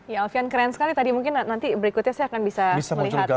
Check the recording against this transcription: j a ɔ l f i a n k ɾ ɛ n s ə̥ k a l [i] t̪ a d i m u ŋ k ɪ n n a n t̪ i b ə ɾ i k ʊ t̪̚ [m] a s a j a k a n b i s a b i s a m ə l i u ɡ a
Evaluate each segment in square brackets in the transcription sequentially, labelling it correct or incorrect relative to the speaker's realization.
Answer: correct, incorrect: ɲ

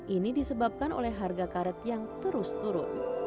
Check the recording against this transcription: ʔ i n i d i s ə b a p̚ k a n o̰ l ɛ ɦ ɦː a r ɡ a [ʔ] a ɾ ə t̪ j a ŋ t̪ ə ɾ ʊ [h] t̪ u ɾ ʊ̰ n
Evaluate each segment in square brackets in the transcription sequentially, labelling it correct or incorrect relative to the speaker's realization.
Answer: incorrect: k, incorrect: s

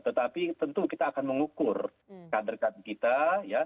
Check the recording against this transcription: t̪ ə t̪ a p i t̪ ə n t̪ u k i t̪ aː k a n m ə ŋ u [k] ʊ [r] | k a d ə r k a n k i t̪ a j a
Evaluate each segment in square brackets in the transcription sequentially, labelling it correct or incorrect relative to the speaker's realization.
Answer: correct, correct

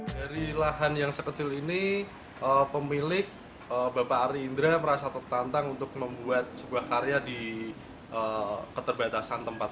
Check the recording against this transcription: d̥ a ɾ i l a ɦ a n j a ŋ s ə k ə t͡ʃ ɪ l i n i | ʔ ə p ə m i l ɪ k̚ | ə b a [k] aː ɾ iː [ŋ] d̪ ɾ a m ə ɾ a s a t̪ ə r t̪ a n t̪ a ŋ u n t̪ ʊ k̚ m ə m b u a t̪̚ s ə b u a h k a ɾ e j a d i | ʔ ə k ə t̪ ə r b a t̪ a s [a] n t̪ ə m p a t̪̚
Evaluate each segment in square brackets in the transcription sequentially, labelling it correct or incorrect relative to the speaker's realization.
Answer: incorrect: p, incorrect: n, correct

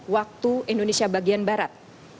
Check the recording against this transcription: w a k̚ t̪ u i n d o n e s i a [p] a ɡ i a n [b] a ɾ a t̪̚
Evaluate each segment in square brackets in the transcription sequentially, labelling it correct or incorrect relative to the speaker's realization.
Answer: incorrect: b, correct

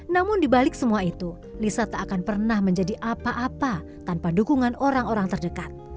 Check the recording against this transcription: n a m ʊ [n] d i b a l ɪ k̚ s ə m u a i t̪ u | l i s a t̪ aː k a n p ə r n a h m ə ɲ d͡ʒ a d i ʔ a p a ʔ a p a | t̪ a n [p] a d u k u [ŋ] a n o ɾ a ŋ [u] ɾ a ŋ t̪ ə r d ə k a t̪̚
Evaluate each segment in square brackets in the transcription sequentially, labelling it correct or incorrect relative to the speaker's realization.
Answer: correct, correct, correct, incorrect: o

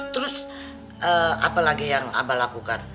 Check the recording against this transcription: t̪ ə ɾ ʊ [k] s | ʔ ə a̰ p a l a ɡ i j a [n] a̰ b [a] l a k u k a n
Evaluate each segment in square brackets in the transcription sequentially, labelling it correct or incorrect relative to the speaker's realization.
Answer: incorrect: none, incorrect: ŋ, correct

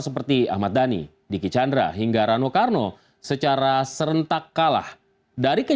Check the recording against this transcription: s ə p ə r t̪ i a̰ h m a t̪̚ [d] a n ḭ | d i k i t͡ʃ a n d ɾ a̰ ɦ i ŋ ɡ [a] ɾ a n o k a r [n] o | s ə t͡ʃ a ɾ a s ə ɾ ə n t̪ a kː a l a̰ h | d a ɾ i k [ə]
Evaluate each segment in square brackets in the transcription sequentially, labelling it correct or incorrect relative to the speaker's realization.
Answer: correct, correct, correct, correct

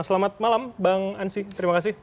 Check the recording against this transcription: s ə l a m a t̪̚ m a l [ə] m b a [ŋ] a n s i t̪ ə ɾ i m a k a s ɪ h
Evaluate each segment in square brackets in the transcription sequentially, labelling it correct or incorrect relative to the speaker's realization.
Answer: incorrect: a, correct

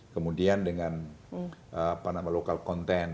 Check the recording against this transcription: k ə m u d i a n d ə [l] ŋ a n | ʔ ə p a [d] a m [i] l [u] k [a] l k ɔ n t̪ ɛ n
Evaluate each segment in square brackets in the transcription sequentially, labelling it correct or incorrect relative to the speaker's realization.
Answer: incorrect: none, incorrect: n, incorrect: a, incorrect: o, correct

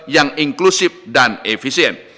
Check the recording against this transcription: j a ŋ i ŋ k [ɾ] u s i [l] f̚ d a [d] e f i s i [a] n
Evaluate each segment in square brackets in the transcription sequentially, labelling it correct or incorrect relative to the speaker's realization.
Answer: incorrect: l, incorrect: none, incorrect: n, incorrect: ɛ

